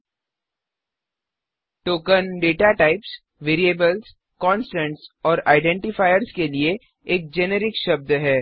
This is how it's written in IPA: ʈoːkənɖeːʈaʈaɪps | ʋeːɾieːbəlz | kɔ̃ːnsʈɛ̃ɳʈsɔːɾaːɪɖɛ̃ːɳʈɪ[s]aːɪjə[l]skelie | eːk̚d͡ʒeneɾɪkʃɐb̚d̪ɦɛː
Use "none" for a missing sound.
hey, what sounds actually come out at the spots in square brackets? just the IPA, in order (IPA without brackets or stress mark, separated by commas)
f, ɾ